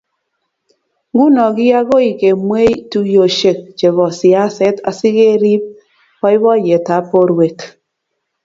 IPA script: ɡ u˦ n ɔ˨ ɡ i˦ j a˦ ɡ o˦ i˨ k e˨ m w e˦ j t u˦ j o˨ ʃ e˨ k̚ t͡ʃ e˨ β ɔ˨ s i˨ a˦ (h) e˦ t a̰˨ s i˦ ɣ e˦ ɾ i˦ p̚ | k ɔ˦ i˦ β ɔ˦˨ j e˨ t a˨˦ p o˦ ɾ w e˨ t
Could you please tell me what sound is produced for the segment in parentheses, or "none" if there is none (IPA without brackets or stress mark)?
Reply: s